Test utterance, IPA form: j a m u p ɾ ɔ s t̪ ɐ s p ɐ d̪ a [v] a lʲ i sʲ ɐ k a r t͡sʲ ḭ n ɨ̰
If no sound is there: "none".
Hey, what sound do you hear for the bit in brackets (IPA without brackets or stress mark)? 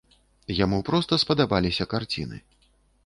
b